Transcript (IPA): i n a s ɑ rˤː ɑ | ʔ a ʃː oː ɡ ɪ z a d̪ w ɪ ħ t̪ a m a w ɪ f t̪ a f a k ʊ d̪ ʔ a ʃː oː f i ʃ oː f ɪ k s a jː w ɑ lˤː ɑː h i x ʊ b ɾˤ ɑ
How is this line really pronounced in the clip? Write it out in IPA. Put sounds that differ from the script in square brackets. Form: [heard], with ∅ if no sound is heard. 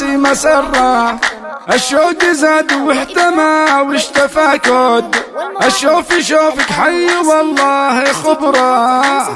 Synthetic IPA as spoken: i [m] a s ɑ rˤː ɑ | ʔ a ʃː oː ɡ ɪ z a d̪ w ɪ ħ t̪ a m a w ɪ [ʃ] t̪ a f a k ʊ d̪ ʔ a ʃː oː f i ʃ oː f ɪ k [ħ] a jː w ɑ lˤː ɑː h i x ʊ b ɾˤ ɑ